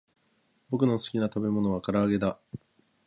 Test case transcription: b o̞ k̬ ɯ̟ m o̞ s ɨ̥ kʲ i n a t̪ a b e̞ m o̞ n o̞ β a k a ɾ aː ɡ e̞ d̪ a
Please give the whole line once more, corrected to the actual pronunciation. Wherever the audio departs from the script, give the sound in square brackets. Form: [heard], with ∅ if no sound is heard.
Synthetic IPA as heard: b o̞ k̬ ɯ̟ [n] o̞ s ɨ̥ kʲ i n a t̪ a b e̞ m o̞ n o̞ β a k a ɾ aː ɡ e̞ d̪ a